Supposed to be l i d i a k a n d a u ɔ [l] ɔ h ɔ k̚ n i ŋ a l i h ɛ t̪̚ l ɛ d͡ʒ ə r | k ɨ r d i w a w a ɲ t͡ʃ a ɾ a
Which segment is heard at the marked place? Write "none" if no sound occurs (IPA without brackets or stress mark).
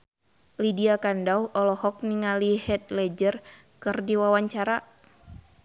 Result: l